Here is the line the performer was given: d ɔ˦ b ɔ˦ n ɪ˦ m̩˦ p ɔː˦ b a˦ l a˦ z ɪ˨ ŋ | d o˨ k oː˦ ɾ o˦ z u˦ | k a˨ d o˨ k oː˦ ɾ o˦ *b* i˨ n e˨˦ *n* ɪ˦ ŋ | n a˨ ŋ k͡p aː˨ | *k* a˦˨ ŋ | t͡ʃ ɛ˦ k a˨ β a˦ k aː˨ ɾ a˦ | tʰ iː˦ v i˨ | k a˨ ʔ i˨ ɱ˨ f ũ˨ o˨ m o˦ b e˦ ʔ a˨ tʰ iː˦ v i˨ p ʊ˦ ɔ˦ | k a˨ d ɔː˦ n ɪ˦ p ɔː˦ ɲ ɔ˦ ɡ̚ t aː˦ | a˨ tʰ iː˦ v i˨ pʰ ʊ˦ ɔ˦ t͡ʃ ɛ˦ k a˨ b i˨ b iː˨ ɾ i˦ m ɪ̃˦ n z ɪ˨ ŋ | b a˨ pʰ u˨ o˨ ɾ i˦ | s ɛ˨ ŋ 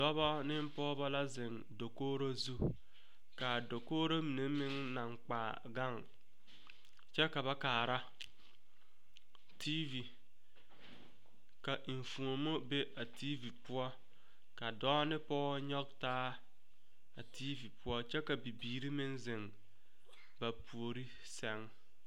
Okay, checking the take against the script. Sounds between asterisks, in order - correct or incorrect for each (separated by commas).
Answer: incorrect, incorrect, incorrect